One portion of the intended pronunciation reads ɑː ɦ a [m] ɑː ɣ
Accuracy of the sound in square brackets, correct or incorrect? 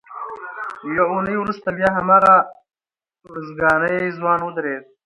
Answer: correct